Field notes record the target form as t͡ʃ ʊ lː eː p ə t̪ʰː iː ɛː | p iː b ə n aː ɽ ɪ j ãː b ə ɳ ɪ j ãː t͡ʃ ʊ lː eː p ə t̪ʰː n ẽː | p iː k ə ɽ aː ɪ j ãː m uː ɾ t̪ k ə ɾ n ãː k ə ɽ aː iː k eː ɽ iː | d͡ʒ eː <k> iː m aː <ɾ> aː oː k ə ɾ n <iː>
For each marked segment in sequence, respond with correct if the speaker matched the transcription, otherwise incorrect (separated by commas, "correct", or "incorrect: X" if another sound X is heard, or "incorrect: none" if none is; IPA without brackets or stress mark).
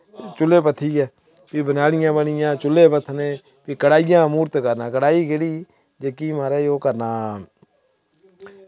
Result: correct, correct, incorrect: aː